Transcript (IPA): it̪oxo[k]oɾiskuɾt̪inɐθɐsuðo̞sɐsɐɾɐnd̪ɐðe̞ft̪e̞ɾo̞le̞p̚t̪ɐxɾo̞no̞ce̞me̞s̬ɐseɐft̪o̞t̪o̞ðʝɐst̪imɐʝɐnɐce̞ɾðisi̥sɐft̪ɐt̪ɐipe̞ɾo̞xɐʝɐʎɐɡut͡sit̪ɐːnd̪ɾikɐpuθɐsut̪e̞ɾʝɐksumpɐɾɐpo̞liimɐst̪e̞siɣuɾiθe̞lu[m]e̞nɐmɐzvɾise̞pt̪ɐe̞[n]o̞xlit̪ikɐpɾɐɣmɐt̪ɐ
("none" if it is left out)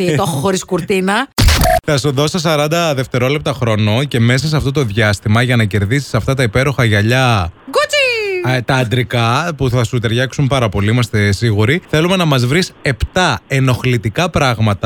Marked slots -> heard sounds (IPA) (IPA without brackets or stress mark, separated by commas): x, m, n